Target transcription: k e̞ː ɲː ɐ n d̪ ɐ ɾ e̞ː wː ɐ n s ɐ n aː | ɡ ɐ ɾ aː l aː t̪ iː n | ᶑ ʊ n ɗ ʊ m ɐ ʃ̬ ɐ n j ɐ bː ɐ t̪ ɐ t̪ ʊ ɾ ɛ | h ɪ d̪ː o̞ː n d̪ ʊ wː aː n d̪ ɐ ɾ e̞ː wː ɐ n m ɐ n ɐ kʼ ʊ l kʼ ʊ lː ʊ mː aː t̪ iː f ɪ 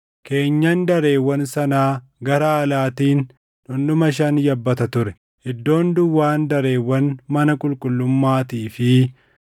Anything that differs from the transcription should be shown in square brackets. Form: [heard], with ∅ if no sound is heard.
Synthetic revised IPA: k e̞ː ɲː ɐ n d̪ ɐ ɾ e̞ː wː ɐ n s ɐ n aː | ɡ ɐ ɾ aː l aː t̪ iː n | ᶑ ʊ n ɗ ʊ m ɐ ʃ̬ ɐ n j ɐ bː ɐ t̪ ɐ t̪ ʊ ɾ ɛ | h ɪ d̪ː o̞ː n d̪ ʊ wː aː n d̪ ɐ ɾ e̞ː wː ɐ n m ɐ n ɐ kʼ ʊ l kʼ ʊ lː ʊ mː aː t̪ iː f ɪ